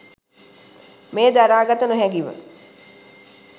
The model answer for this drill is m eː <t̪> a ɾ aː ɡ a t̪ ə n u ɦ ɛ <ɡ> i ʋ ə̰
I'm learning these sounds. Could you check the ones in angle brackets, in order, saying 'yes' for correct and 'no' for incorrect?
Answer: no, yes

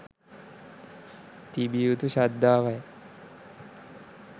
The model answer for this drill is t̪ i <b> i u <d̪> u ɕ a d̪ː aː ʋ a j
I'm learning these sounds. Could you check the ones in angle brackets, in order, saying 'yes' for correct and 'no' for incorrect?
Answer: yes, no

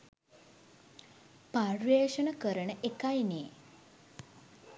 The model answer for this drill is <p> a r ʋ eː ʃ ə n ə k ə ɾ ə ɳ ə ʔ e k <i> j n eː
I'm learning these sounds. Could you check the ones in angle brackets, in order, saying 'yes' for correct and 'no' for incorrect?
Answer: yes, no

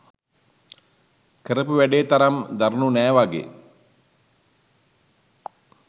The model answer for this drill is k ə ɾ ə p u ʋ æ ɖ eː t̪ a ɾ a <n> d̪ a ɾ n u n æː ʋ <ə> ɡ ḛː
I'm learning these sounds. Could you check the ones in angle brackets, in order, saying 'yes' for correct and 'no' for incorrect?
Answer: no, no

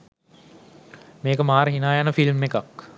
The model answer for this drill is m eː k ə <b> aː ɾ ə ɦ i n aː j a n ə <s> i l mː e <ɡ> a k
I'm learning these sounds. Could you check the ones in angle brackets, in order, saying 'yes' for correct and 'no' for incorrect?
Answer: no, no, no

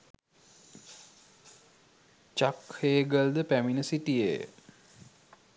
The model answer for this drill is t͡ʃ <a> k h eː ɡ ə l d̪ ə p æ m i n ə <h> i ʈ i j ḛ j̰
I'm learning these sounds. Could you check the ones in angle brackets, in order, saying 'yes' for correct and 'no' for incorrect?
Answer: yes, no

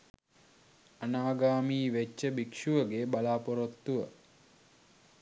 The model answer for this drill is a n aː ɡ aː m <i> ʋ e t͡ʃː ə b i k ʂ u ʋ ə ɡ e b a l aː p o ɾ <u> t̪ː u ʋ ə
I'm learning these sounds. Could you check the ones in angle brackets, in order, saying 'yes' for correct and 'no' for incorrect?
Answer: no, no

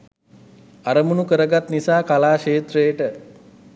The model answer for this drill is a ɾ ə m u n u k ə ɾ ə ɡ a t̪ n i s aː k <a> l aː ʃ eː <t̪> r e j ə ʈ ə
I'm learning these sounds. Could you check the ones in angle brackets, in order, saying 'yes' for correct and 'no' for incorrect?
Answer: yes, yes

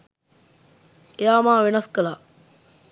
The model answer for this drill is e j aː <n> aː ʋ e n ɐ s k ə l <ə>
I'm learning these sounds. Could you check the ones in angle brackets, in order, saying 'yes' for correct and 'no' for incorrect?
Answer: no, no

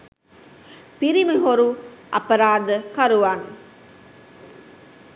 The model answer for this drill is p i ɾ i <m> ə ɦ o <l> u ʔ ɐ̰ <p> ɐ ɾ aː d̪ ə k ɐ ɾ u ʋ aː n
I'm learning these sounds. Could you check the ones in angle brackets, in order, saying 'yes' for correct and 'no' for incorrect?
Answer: yes, no, yes

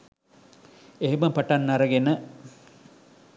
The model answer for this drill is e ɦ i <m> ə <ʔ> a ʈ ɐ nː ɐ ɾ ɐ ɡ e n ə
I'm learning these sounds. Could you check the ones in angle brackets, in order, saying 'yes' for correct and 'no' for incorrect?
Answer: yes, no

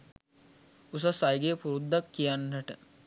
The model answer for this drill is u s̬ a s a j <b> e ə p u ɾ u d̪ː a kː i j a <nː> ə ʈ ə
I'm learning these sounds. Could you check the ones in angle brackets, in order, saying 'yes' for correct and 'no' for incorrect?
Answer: no, yes

